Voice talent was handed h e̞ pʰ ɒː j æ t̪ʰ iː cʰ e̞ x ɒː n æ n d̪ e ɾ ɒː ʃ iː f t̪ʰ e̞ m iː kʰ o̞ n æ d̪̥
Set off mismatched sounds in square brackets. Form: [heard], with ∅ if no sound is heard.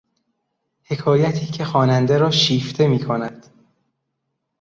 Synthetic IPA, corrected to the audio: h e̞ [kʰ] ɒː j æ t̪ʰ iː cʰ e̞ x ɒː n æ n d̪ e ɾ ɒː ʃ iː f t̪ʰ e̞ m iː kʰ o̞ n æ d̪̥